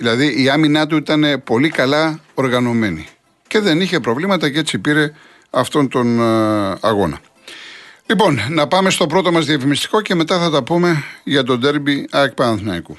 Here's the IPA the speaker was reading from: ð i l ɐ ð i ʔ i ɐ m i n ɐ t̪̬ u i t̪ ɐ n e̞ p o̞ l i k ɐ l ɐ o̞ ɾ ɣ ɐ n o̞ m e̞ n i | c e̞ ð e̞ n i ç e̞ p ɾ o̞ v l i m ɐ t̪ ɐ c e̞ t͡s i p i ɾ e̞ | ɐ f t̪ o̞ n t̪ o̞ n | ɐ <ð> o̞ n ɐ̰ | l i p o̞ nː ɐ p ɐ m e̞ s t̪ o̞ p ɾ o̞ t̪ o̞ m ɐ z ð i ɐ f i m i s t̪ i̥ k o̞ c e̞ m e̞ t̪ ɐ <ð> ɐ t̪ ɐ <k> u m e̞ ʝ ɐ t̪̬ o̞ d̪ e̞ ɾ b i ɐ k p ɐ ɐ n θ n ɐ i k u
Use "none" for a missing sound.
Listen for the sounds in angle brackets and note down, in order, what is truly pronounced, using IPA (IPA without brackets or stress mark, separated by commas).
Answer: ɣ, θ, p